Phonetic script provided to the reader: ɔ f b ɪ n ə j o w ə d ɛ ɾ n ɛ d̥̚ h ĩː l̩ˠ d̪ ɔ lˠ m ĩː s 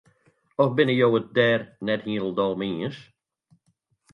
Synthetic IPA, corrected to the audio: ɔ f b ɪ n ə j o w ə d ɛ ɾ n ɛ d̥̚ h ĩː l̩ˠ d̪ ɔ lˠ m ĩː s